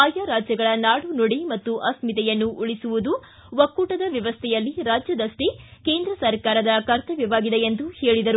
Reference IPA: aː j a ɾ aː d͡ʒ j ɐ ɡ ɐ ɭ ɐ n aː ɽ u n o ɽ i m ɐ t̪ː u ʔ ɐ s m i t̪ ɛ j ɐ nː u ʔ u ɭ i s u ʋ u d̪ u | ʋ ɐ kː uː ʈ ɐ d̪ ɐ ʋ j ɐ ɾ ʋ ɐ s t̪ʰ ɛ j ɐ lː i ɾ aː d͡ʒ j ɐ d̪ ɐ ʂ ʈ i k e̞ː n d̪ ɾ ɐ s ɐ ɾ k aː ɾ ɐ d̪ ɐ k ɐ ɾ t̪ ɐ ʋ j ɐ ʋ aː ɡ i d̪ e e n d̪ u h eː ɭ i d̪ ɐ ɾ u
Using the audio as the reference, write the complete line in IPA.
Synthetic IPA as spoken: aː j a ɾ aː d͡ʒ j ɐ ɡ ɐ ɭ ɐ n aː ɽ u n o ɽ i m ɐ t̪ː u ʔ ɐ s m i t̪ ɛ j ɐ nː u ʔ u ɭ i s u ʋ u d̪ u | ʋ ɐ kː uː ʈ ɐ d̪ ɐ ʋ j ɐ ʋ ɐ s t̪ʰ ɛ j ɐ lː i ɾ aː d͡ʒ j ɐ d̪ ɐ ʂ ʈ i k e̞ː n d̪ ɾ ɐ s ɐ ɾ k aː ɾ ɐ d̪ ɐ k ɐ ɾ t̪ ɐ ʋ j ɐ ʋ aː ɡ i d̪ e e n d̪ u h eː ɭ i d̪ ɐ ɾ u